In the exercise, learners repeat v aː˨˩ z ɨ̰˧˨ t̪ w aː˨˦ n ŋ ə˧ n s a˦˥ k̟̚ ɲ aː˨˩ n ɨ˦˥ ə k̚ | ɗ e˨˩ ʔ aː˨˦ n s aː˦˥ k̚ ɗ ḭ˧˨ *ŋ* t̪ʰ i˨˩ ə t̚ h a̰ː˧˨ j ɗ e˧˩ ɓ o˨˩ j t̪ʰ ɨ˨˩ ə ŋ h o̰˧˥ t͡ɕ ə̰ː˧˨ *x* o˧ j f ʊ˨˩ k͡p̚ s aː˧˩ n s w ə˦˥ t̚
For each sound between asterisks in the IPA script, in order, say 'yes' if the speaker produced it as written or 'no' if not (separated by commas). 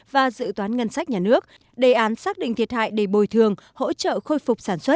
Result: yes, yes